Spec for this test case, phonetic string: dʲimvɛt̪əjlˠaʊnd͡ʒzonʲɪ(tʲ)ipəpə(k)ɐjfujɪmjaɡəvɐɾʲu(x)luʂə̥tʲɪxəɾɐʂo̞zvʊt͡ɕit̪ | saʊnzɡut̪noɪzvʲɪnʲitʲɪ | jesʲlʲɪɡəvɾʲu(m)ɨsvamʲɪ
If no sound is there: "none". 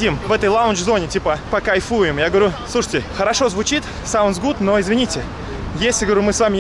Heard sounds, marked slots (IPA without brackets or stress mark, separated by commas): tʲ, k, s, m